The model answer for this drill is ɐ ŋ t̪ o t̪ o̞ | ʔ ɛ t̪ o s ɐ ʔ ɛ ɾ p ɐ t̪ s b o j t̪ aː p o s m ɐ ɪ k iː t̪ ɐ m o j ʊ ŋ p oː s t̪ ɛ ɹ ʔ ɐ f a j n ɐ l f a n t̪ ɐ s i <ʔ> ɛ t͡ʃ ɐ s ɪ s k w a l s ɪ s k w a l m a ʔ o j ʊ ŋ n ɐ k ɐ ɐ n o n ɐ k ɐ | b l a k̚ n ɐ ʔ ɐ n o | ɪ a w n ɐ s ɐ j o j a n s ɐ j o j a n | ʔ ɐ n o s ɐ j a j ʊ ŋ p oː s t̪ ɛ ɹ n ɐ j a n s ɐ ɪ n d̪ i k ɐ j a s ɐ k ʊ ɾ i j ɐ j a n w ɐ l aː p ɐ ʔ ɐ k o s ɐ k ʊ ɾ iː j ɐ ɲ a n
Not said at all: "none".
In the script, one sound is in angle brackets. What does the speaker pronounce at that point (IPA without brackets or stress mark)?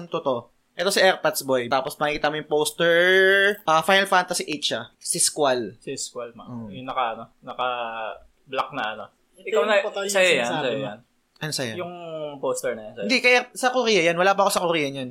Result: ʔ